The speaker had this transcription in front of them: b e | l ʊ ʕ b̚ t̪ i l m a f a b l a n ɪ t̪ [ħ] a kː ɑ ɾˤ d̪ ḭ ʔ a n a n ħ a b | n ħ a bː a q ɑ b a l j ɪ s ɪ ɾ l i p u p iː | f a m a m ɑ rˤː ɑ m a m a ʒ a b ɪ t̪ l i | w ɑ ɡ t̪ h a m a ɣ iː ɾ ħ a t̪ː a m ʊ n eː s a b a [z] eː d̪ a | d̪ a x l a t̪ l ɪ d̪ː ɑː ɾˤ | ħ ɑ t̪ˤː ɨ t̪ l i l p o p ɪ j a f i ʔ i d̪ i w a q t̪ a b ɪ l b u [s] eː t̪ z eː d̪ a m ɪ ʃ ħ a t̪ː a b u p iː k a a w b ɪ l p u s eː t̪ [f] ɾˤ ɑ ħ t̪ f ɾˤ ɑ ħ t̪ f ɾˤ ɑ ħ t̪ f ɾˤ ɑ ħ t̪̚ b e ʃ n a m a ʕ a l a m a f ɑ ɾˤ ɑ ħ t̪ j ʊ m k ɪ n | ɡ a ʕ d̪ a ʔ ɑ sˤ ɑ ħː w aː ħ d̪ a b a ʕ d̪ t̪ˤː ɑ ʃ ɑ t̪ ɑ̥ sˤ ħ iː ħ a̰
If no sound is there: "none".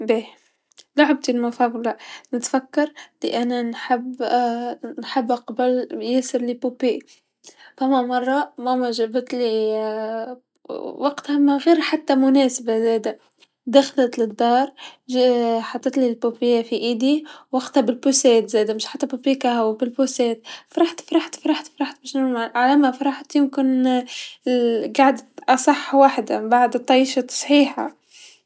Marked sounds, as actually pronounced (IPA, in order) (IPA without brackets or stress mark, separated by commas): f, z, s, f